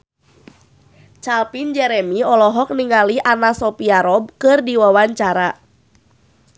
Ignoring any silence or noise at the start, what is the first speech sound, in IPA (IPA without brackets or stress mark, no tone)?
t͡ʃ